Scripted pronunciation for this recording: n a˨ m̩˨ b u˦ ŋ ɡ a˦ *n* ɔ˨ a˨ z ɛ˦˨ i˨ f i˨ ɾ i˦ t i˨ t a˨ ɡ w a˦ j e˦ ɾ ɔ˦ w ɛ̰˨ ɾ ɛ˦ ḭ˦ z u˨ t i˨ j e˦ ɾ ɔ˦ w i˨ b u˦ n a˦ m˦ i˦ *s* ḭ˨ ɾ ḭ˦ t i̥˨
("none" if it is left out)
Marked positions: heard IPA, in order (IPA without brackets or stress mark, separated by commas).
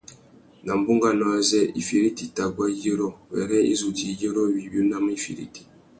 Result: n, f